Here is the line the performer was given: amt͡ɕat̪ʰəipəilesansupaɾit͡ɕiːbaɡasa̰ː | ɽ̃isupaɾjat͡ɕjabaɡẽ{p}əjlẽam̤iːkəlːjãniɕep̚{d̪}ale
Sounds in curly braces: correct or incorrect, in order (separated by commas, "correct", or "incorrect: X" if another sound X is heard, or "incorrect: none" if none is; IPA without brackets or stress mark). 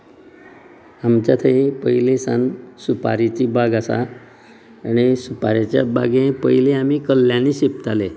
correct, incorrect: t̪